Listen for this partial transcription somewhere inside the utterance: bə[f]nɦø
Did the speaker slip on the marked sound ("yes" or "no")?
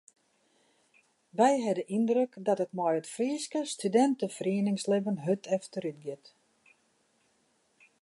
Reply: yes